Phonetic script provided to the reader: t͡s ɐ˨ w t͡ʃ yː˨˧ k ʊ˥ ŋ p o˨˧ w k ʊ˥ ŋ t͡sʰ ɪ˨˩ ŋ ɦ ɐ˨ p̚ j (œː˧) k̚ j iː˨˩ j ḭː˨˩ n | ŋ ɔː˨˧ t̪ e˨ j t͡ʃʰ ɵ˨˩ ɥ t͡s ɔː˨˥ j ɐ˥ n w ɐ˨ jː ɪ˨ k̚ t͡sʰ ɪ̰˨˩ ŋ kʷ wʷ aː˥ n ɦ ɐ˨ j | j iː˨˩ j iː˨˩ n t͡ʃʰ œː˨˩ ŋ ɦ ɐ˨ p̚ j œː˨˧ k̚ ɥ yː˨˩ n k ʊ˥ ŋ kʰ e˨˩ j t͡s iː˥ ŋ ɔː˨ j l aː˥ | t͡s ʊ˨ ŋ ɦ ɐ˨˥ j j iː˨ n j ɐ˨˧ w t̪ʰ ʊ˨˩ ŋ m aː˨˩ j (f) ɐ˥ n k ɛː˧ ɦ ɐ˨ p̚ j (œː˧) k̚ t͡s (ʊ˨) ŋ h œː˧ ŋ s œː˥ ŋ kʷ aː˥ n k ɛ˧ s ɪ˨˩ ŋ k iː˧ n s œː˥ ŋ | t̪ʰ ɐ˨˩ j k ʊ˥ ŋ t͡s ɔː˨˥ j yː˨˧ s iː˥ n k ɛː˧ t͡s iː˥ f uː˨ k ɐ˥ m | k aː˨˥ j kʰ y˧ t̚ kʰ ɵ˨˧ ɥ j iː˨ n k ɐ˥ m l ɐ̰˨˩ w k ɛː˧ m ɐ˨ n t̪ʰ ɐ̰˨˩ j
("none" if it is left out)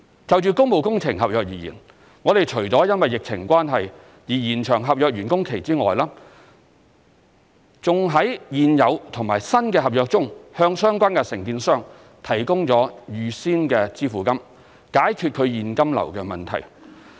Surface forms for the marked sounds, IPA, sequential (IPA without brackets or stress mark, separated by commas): œː˧, s, œː˧, ʊ˥